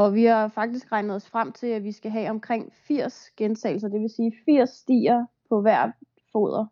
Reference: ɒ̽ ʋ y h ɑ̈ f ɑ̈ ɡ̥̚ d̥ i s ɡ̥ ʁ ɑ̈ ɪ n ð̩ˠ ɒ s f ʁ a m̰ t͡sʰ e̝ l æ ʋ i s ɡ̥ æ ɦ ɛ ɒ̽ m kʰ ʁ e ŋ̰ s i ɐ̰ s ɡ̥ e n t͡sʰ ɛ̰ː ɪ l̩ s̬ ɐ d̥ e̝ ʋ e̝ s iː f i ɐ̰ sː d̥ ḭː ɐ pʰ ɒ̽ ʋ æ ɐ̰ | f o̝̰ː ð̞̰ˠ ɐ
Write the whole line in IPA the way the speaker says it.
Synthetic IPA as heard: ɒ̽ ʋ i h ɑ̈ f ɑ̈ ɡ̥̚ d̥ i s ɡ̥ ʁ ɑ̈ ɪ n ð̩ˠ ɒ s f ʁ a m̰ t͡sʰ e̝ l æ ʋ i s ɡ̥ æ ɦ ɛ ɒ̽ m kʰ ʁ e ŋ̰ f i ɐ̰ s ɡ̥ e n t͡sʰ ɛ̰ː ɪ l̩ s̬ ɐ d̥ e̝ ʋ e̝ s iː f i ɐ̰ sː d̥ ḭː ɐ pʰ ɒ̽ ʋ æ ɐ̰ | f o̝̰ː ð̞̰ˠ ɐ